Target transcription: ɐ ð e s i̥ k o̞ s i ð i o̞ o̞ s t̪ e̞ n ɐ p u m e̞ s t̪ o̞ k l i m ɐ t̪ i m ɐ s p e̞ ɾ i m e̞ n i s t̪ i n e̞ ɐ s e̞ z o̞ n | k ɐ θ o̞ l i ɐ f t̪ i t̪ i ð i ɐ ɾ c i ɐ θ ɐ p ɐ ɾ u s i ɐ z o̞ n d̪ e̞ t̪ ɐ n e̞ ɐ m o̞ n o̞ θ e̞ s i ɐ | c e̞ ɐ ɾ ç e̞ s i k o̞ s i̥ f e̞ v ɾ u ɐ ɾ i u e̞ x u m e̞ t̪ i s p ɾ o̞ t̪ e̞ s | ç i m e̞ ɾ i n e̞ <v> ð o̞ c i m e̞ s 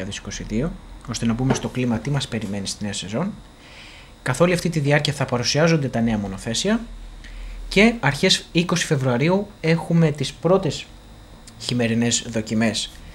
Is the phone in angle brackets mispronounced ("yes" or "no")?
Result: yes